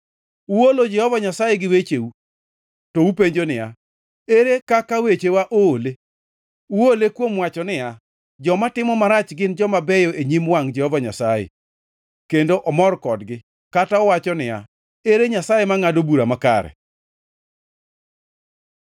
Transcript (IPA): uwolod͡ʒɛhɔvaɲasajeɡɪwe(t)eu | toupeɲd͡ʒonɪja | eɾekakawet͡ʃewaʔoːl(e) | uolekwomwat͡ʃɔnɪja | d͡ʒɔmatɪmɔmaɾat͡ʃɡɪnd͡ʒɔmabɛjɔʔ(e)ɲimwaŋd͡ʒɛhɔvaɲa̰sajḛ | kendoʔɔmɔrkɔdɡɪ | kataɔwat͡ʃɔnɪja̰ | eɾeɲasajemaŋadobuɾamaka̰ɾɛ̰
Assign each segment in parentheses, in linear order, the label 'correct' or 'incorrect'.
incorrect: t͡ʃ, correct, correct

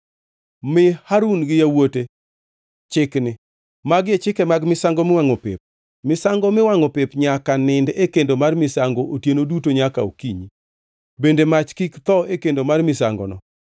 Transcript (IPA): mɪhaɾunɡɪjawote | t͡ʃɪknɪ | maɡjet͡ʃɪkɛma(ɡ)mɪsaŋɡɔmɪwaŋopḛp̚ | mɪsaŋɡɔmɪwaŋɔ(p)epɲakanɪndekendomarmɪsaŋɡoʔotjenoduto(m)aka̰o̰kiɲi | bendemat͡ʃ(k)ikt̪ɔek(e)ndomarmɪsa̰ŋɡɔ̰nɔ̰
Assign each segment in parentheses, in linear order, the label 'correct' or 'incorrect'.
correct, correct, incorrect: ɲ, correct, correct

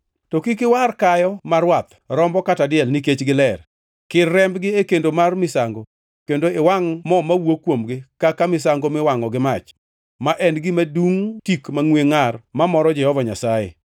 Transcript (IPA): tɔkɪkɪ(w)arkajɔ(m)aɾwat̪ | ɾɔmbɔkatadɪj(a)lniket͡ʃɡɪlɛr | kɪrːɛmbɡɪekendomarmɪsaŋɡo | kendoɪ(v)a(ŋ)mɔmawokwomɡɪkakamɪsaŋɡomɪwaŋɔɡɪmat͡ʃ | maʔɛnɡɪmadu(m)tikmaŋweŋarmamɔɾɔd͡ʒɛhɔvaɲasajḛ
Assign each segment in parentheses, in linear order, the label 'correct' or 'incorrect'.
correct, correct, incorrect: ɛ, incorrect: w, correct, incorrect: ŋ

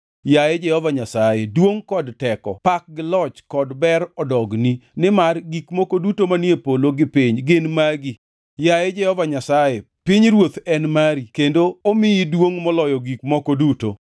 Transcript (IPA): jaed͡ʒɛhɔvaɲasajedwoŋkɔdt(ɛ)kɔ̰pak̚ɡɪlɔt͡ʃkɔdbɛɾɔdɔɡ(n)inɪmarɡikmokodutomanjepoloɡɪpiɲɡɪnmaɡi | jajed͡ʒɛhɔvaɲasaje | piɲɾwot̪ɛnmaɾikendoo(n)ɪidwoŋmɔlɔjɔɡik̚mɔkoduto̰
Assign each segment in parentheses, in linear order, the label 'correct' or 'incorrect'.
correct, correct, incorrect: m

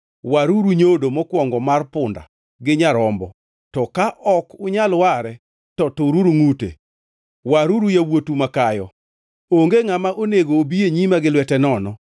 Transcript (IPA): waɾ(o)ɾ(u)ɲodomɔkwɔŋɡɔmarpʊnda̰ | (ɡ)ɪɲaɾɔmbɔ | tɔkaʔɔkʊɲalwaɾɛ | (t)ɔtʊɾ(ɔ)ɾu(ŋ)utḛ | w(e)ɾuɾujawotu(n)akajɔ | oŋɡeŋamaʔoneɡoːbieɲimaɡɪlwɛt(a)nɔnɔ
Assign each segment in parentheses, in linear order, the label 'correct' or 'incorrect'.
incorrect: u, correct, correct, correct, incorrect: u, correct, incorrect: a, incorrect: m, incorrect: ɛ

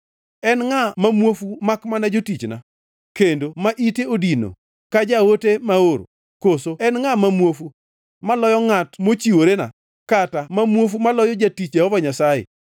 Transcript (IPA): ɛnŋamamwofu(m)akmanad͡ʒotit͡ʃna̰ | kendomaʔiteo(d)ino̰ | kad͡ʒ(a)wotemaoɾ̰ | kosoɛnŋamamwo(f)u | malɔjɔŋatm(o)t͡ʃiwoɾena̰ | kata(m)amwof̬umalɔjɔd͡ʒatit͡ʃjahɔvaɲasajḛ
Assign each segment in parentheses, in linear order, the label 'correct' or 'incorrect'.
correct, correct, correct, correct, correct, correct

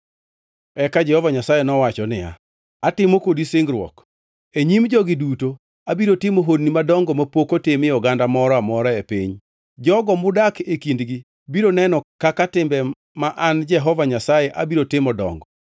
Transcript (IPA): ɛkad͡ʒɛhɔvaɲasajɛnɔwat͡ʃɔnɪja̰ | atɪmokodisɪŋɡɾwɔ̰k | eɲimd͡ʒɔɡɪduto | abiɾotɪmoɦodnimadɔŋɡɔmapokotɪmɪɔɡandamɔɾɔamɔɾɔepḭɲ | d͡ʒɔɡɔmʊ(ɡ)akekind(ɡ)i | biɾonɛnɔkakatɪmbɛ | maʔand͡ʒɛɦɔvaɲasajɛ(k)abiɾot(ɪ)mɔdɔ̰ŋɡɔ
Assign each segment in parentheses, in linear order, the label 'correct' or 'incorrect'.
incorrect: d, correct, incorrect: ʔ, correct

